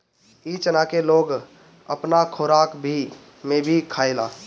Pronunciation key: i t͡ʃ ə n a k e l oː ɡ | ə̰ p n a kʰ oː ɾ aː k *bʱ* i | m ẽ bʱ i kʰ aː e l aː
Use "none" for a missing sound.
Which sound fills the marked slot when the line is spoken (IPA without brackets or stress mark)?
bʱ